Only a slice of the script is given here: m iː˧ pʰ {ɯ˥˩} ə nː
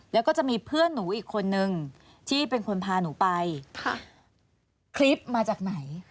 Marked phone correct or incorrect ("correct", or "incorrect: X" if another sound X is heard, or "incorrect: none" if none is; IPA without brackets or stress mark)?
correct